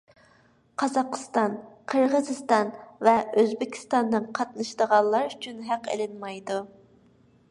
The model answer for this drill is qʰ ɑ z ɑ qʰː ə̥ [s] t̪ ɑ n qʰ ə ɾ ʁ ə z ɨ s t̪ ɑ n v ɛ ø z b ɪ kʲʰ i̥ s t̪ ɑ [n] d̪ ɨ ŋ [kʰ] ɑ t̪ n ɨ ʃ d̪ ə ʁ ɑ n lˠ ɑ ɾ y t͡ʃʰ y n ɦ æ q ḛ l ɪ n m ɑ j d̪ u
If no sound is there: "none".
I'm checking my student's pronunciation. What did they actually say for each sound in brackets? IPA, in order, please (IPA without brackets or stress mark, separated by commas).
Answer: s, n, qʰ